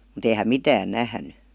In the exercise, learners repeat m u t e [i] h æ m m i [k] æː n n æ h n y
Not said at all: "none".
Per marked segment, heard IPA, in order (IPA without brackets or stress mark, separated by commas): i, t